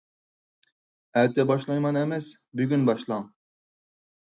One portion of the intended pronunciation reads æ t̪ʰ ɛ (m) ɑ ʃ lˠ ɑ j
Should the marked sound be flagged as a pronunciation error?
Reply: yes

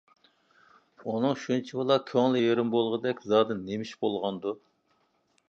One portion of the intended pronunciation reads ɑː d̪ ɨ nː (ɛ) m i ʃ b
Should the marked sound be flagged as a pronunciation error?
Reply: yes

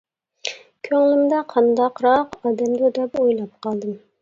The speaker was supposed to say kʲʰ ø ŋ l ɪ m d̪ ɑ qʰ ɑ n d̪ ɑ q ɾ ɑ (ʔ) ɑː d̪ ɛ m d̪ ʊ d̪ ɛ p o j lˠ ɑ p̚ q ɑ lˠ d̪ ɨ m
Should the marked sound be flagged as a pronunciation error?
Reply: yes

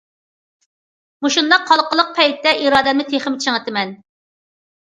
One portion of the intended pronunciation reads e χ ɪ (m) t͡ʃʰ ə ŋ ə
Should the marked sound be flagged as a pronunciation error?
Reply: no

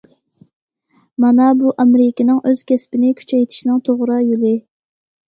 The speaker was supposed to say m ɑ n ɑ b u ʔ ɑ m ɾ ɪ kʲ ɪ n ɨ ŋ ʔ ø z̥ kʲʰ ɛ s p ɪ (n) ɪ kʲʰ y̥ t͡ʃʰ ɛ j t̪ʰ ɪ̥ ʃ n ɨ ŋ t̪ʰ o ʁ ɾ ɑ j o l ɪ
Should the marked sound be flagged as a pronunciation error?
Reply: no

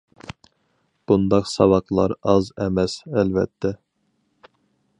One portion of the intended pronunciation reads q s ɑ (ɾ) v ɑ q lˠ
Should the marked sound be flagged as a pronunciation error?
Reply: yes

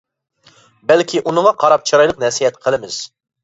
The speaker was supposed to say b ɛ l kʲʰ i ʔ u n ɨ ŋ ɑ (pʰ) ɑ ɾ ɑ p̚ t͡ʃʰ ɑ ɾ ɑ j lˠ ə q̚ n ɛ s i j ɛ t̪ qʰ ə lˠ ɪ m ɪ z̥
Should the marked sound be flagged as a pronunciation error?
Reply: yes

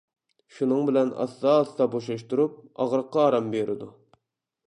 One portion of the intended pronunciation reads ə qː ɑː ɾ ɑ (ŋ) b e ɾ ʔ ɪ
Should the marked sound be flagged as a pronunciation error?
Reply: yes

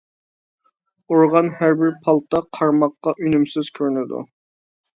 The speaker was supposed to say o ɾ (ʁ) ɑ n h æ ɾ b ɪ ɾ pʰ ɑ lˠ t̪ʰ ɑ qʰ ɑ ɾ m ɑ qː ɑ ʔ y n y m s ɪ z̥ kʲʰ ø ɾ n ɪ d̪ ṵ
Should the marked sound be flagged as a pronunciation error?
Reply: no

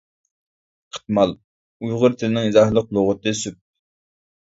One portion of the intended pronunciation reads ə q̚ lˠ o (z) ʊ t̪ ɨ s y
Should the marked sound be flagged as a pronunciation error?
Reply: yes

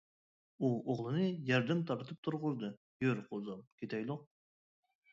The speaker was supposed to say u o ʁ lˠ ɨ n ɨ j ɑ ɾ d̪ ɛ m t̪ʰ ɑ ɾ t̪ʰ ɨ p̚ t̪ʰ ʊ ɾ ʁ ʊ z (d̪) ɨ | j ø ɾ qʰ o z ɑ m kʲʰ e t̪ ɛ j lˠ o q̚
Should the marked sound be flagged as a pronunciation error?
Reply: no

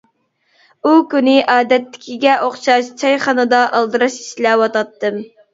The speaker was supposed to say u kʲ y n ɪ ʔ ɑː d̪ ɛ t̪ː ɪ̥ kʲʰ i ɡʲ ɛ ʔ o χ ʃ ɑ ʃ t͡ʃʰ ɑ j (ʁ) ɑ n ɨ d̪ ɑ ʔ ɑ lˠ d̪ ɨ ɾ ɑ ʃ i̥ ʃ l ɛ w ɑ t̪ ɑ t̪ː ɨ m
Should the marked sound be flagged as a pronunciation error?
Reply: yes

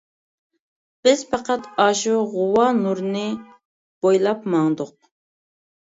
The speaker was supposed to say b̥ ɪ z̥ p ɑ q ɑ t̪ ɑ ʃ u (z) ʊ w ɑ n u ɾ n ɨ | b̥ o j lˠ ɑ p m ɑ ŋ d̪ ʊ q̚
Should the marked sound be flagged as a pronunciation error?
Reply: yes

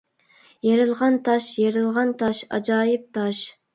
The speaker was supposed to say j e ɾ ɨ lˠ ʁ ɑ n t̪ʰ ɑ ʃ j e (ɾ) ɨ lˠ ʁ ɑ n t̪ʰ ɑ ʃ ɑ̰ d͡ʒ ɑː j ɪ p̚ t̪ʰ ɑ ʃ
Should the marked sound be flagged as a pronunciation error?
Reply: no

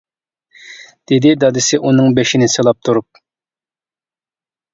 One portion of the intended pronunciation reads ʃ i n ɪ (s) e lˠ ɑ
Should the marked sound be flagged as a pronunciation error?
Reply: no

